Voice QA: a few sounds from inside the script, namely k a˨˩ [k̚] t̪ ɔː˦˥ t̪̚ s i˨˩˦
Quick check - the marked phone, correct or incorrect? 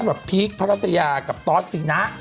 incorrect